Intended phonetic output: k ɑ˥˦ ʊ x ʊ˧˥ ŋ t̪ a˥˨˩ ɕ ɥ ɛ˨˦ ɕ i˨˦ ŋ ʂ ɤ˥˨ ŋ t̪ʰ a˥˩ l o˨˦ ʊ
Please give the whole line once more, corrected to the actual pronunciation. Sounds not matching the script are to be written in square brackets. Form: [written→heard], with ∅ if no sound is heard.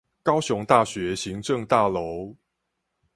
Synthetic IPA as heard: k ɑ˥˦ ʊ [x→ɕ] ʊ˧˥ ŋ t̪ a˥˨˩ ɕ ɥ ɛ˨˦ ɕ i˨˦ ŋ [ʂ→ʈ͡ʂ] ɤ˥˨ ŋ [t̪ʰ→t̪] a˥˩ l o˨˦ ʊ